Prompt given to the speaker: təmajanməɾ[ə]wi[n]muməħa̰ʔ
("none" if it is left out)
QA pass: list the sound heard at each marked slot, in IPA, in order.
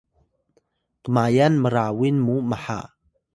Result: a, n

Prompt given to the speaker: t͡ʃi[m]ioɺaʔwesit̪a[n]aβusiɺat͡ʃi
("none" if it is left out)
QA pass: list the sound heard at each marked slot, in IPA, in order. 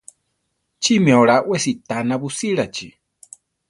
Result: m, n

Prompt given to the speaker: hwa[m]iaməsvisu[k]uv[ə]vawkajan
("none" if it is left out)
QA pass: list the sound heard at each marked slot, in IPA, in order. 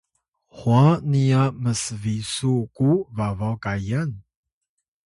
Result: n, k, a

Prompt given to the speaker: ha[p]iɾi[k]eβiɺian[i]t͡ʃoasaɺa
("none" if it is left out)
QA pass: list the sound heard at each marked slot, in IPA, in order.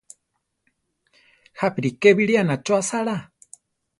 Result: p, k, a

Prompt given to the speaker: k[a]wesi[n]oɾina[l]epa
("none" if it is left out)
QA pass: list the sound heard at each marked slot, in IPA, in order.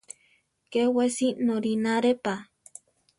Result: e, n, ɾ

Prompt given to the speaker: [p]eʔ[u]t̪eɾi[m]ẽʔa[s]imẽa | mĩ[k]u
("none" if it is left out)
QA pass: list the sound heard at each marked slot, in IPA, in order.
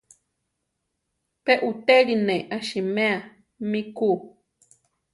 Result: p, u, n, ʃ, k

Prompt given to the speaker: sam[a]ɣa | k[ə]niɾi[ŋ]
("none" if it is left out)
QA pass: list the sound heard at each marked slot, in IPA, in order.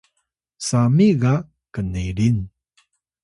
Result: i, ə, n

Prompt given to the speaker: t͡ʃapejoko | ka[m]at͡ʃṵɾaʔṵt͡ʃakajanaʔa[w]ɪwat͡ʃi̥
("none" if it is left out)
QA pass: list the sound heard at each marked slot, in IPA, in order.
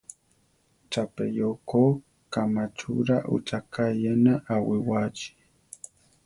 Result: m, w

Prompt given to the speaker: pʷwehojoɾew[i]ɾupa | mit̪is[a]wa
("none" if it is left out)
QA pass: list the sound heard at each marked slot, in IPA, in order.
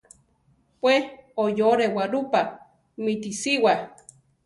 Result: a, i

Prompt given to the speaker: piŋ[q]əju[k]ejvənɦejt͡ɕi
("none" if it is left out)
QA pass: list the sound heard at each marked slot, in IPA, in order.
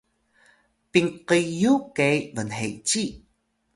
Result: q, k

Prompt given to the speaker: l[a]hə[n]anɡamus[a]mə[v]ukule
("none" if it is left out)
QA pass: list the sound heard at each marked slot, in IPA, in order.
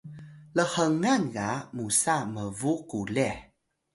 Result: ə, ŋ, a, v

